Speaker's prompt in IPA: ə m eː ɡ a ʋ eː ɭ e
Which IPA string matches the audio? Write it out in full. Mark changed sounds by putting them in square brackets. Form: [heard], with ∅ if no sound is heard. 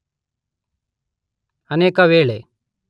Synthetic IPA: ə [n] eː [k] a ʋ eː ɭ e